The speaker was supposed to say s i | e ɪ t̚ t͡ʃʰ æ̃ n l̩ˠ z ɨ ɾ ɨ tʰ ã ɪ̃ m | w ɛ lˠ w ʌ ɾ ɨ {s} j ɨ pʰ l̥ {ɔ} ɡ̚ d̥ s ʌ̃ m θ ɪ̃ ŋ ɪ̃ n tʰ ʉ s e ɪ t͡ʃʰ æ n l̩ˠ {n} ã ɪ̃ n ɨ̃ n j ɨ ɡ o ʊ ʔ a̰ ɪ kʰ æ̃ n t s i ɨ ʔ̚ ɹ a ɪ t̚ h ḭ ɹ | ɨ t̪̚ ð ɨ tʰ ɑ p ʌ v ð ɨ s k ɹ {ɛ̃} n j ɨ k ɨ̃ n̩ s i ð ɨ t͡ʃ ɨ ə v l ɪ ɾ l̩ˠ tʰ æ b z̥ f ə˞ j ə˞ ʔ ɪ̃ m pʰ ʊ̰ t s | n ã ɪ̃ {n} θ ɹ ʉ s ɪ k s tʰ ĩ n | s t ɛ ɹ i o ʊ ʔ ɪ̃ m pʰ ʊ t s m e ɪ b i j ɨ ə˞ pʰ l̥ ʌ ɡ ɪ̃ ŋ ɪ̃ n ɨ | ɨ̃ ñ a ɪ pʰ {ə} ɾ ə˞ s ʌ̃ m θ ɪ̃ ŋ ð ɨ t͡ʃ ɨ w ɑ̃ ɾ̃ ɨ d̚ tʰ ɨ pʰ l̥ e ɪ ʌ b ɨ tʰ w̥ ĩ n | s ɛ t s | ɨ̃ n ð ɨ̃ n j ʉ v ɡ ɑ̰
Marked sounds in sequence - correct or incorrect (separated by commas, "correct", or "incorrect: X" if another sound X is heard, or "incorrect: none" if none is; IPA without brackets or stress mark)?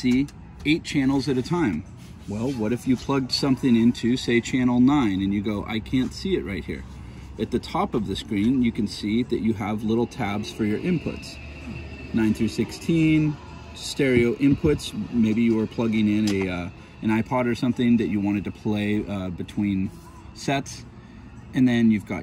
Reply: incorrect: f, incorrect: ʌ, correct, incorrect: ĩ, correct, incorrect: ɑ